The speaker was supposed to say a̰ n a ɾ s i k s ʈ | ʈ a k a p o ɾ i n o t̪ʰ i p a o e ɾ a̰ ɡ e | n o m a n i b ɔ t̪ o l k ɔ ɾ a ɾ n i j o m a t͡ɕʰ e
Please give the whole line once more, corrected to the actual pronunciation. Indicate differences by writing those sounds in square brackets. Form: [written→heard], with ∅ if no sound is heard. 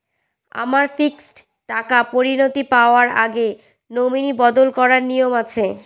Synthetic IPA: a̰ [n→m] a ɾ [s→f] i k s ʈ | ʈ a k a p o ɾ i n o [t̪ʰ→t̪] i p a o [e→a] ɾ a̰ ɡ e | n o m [a→i] n i b ɔ [t̪→d̪] o l k ɔ ɾ a ɾ n i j o m a t͡ɕʰ e